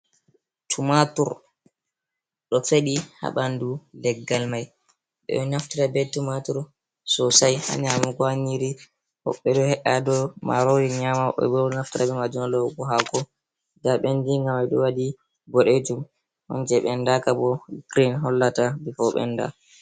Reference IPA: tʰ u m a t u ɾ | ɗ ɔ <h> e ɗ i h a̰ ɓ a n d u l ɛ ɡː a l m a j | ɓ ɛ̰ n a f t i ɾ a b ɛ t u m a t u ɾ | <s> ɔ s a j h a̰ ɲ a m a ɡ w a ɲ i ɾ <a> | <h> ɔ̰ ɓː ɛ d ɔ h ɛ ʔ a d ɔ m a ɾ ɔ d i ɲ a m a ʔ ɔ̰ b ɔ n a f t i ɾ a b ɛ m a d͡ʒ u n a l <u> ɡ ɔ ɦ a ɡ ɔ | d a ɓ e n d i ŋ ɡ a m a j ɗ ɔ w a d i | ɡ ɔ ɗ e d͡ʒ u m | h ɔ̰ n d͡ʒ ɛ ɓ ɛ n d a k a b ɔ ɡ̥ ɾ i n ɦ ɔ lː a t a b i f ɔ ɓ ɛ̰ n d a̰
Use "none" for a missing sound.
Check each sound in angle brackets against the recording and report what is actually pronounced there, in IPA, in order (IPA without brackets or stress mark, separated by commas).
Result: f, s, i, h, ɔ